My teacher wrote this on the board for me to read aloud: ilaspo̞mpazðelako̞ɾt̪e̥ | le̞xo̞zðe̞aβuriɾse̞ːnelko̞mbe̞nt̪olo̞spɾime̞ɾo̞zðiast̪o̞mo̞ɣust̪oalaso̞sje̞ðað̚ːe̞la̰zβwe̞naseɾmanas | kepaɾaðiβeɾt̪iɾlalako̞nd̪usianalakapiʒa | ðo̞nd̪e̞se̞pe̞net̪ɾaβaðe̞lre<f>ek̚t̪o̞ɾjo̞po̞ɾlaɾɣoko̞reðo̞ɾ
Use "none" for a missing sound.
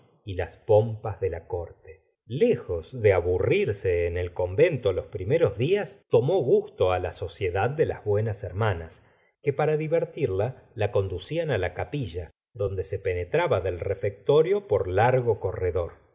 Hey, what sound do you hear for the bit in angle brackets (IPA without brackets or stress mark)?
f